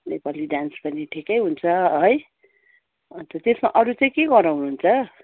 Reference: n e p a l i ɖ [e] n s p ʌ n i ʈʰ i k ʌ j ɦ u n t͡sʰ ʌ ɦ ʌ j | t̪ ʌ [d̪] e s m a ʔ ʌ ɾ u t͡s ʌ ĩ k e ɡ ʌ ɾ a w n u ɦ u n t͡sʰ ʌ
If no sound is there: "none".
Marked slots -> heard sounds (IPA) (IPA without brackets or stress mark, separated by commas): a, t̪